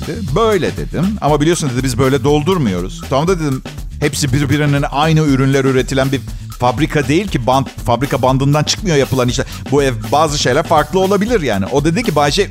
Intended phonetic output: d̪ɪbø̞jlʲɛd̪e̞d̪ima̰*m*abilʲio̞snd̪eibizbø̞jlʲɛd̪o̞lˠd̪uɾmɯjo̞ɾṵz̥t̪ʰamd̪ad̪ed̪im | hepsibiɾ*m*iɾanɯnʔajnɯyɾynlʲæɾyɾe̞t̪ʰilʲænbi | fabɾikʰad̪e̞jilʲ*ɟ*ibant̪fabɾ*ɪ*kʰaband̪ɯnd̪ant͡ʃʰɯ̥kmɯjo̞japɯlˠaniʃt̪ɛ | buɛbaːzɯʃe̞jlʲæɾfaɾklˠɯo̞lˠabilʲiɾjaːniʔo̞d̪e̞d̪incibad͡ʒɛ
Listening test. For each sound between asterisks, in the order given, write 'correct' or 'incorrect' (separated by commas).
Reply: correct, incorrect, incorrect, incorrect